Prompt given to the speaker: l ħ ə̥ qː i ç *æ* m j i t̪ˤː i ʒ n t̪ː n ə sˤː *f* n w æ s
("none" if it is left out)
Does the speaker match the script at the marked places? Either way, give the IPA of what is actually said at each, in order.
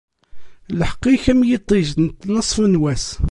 æ, f

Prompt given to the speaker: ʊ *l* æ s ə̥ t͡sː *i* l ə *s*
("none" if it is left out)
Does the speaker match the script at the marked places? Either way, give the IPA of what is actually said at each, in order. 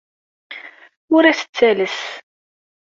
ɾ, æ, s

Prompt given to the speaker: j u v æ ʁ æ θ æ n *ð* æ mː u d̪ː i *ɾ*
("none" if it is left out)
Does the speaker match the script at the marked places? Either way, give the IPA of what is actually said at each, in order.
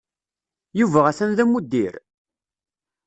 ð, ɾ

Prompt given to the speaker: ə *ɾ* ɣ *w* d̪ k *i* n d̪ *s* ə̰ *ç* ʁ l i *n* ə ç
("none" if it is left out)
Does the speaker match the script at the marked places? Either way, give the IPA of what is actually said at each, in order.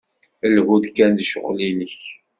l, u, æ, ʃ, none, n

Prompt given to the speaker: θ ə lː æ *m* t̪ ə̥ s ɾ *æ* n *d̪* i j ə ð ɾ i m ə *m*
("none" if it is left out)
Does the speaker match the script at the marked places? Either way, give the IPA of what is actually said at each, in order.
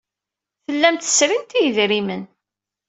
m, i, t̪, n

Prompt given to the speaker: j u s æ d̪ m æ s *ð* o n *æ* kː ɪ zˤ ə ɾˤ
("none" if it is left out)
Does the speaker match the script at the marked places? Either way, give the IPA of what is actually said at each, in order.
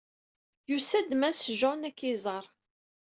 ʒ, æ

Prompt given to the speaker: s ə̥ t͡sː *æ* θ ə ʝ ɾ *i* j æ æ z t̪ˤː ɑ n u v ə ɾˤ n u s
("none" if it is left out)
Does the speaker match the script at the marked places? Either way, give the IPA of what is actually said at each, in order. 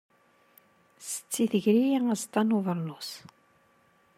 i, i

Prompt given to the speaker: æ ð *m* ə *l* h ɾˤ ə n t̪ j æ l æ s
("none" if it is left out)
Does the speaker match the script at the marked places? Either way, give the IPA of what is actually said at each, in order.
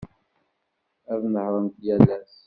n, none

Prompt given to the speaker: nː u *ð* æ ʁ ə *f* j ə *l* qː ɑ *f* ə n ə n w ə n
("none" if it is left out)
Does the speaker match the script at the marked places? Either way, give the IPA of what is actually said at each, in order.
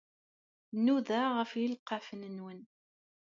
ð, f, l, f

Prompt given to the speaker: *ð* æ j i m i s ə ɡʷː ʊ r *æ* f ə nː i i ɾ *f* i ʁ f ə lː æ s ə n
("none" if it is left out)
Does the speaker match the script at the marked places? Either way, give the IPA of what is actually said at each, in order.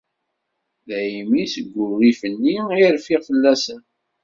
ð, i, f

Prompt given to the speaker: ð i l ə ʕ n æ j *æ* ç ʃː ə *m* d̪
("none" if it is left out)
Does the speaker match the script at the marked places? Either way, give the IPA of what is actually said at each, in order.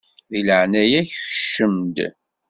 æ, m

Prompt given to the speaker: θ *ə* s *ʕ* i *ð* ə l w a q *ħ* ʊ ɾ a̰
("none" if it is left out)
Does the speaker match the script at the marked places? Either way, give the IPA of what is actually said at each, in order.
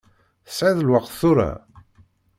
ə, ʕ, ð, θ

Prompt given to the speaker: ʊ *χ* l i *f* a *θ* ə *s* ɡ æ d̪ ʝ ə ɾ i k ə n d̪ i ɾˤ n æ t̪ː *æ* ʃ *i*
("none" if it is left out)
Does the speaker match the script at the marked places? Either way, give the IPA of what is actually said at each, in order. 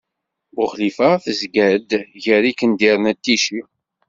χ, f, θ, z, i, i

